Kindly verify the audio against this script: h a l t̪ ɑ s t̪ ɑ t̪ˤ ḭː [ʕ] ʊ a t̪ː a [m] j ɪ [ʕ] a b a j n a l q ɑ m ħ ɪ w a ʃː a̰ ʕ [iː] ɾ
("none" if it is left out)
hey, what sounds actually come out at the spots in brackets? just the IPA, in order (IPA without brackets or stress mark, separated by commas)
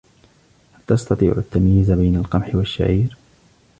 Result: ʕ, m, z, iː